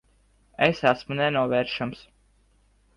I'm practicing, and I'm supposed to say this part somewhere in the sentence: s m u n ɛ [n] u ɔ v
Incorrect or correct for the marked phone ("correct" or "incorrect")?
correct